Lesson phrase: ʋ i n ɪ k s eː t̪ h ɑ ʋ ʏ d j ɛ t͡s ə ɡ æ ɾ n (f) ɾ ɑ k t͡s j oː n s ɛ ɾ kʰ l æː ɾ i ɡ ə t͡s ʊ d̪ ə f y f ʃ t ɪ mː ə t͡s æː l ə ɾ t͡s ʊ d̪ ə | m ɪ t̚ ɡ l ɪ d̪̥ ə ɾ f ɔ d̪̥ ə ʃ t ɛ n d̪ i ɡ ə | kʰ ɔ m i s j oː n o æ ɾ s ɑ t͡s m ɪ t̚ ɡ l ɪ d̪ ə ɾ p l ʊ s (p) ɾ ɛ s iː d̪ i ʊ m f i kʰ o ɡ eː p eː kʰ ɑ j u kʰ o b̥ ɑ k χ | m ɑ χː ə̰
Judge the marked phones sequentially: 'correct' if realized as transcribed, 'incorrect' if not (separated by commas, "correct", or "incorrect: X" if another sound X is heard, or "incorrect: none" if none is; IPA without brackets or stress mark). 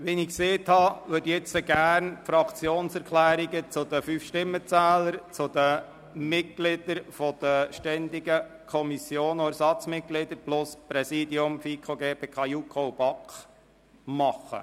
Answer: correct, correct